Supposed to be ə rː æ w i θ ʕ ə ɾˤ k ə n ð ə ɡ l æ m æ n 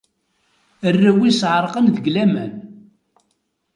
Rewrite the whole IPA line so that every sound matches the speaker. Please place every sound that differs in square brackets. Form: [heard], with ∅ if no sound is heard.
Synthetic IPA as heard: ə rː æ w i [s] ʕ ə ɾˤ [q] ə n ð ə ɡ l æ m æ n